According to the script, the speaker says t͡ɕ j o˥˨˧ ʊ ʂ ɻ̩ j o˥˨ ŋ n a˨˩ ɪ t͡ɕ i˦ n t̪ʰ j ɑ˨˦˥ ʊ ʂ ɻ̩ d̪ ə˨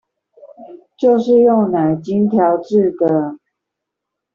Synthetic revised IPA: t͡ɕ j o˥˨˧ ʊ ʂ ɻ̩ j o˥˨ ŋ n a˨˩ ɪ t͡ɕ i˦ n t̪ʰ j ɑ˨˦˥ ʊ ʈ͡ʂ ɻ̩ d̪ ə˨